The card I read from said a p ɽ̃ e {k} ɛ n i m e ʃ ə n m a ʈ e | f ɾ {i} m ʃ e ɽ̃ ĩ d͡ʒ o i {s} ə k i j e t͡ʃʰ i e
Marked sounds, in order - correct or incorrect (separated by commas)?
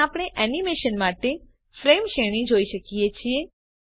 incorrect, incorrect, incorrect